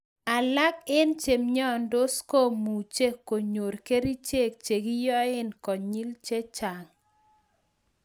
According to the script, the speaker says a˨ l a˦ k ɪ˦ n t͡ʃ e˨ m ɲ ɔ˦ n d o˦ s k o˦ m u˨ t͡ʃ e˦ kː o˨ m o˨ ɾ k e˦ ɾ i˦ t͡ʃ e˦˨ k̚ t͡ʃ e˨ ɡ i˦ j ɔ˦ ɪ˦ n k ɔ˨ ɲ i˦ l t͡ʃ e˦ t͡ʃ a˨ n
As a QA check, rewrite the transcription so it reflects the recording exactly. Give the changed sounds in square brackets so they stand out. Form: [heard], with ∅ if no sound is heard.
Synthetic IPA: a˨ l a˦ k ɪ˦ n t͡ʃ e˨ m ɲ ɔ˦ n d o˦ s k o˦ m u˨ t͡ʃ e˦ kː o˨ [ɲ] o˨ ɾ k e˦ ɾ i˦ t͡ʃ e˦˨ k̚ t͡ʃ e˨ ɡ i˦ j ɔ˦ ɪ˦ n k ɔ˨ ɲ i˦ l t͡ʃ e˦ t͡ʃ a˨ [ŋ]